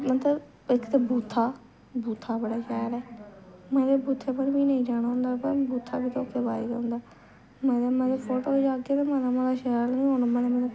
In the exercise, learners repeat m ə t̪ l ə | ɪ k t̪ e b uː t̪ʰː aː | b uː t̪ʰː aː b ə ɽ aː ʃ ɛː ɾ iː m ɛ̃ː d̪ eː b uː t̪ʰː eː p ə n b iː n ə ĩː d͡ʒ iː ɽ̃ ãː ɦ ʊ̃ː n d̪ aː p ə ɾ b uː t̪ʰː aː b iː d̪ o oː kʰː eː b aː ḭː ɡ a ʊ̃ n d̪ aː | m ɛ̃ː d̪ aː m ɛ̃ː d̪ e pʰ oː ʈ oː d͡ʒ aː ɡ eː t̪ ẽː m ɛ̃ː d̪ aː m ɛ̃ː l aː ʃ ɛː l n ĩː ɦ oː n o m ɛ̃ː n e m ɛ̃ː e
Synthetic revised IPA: m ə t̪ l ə | ɪ k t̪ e b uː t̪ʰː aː | b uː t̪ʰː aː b ə ɽ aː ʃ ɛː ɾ ɛː m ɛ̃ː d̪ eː b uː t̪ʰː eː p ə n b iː n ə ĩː d͡ʒ aː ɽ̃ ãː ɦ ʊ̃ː n d̪ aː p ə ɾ b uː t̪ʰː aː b iː t̪ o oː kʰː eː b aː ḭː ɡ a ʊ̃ n d̪ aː | m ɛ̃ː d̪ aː m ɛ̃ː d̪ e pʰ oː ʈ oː d͡ʒ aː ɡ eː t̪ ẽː m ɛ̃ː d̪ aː m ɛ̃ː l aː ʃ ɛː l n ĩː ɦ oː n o m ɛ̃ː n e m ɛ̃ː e